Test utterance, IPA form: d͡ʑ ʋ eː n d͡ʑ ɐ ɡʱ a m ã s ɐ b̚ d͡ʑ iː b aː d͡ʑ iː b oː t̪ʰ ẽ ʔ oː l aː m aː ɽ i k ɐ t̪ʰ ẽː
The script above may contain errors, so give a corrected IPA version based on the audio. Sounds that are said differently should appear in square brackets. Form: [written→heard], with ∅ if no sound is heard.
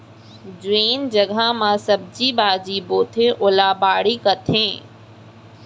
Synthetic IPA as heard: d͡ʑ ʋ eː n d͡ʑ ɐ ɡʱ a m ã s ɐ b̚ d͡ʑ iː b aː d͡ʑ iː b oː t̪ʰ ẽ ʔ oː l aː [m→b] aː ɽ i k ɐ t̪ʰ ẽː